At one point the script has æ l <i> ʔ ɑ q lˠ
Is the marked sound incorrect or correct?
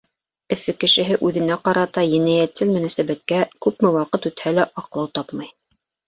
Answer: incorrect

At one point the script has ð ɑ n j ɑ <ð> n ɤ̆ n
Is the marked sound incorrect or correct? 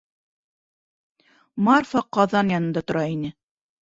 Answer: incorrect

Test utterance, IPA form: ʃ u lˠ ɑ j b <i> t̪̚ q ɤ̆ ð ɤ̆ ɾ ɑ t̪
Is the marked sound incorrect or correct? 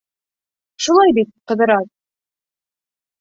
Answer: correct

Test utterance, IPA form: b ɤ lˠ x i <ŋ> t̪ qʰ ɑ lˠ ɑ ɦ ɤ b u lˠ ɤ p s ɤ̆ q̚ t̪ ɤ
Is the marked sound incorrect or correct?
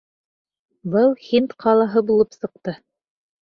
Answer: incorrect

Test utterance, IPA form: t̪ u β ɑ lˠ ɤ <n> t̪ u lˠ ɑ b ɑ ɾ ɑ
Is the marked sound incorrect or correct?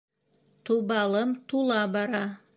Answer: incorrect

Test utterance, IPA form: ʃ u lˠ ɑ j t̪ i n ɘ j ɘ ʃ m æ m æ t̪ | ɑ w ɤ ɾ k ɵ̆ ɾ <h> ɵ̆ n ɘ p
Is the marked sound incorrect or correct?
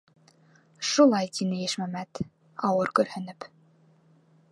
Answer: correct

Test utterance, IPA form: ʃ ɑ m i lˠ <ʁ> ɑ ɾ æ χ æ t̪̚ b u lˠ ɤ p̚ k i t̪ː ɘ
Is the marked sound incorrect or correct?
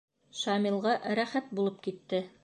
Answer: correct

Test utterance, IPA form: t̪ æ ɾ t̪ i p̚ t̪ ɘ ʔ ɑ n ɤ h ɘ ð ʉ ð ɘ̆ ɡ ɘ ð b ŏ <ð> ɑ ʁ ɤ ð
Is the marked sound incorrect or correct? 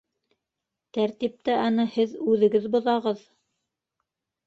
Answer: correct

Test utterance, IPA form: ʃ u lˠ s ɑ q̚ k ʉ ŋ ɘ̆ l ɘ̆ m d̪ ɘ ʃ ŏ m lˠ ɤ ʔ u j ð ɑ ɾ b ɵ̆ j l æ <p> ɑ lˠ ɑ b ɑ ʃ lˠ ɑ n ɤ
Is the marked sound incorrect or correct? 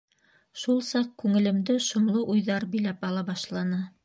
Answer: correct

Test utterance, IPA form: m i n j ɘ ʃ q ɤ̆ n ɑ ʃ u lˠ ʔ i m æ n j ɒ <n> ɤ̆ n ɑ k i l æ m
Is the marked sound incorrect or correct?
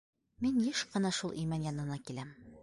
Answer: correct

